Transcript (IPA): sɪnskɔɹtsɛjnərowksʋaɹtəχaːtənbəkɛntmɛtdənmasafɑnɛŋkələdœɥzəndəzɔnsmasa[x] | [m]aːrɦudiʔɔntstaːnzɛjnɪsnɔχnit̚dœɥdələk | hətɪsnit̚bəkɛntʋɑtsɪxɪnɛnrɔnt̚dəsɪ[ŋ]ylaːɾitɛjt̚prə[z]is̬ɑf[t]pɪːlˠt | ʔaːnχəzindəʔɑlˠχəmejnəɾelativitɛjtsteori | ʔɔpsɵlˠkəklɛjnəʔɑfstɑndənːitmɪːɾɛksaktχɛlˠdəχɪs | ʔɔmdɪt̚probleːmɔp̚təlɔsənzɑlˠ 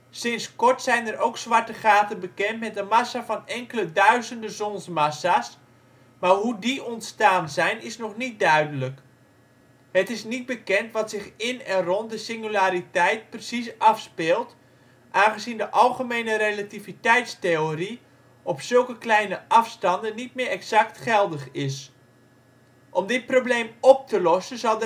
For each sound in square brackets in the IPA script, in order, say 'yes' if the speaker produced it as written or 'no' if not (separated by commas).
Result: no, yes, yes, no, no